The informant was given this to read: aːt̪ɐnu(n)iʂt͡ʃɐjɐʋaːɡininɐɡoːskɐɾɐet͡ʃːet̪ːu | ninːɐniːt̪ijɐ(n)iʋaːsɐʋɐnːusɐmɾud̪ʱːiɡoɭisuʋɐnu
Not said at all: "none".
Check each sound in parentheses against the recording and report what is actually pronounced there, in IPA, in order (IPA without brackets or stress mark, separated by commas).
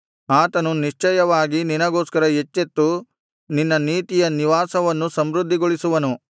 n, n